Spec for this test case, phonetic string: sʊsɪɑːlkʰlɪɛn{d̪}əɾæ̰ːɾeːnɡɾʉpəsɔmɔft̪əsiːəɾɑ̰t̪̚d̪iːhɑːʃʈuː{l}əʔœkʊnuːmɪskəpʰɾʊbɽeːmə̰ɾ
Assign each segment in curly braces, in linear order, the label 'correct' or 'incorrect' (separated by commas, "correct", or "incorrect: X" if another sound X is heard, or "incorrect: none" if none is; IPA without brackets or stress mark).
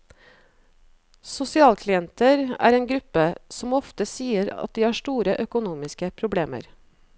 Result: incorrect: t̪, incorrect: ɾ